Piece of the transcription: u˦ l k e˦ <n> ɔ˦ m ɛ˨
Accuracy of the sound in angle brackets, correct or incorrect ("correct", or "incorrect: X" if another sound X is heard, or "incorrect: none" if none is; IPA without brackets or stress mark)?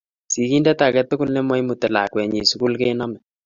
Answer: correct